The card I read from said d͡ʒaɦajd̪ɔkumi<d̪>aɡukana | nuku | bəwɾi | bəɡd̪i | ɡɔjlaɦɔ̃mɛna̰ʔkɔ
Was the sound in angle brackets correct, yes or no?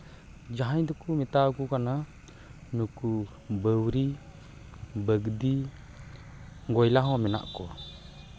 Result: no